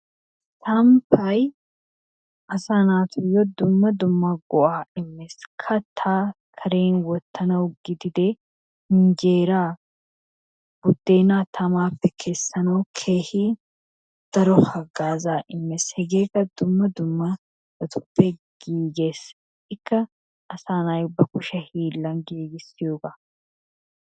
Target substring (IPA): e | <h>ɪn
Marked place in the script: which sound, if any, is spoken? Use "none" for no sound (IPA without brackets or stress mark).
h